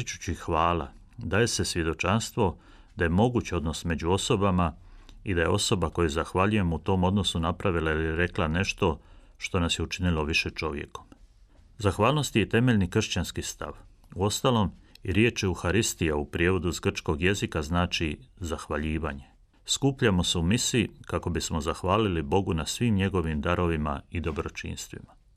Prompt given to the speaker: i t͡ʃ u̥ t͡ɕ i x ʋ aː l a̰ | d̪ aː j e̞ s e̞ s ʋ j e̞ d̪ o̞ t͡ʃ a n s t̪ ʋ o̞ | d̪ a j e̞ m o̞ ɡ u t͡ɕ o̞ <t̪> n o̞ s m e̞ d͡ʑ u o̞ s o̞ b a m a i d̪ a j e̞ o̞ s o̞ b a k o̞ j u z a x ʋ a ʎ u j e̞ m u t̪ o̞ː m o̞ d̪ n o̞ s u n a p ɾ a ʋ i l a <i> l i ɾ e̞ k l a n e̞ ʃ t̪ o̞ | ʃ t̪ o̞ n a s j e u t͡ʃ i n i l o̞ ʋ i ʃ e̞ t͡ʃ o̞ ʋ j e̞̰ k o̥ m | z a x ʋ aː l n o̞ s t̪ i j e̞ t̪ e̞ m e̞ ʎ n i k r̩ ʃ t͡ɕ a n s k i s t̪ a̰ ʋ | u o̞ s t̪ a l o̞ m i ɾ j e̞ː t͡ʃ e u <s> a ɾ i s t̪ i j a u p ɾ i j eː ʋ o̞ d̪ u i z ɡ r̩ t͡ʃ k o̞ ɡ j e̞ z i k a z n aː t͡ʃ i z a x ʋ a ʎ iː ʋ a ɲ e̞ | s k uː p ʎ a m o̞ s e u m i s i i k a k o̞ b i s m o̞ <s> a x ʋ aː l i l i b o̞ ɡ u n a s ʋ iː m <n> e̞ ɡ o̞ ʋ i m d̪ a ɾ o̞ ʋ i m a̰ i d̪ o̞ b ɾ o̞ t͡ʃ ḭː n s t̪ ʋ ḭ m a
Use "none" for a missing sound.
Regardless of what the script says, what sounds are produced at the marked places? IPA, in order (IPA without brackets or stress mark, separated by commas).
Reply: d̪, i, x, z, ɲ